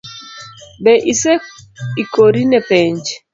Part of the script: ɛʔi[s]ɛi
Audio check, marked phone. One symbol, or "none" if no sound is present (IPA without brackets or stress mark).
s